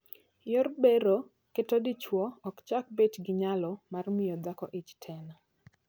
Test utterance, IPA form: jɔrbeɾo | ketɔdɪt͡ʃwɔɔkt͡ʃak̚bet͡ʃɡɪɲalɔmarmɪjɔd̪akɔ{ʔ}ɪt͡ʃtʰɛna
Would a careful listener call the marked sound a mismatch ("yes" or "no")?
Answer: no